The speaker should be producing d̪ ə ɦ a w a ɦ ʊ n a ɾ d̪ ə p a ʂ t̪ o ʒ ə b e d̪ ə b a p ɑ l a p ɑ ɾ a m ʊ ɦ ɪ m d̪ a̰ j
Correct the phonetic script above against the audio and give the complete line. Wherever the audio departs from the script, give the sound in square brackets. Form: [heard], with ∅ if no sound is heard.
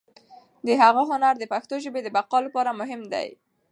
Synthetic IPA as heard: d̪ ə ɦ a [ɣ] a ɦ ʊ n a ɾ d̪ ə p a [x] t̪ o ʒ ə b e d̪ ə b a [q] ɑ l a p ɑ ɾ a m ʊ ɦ ɪ m d̪ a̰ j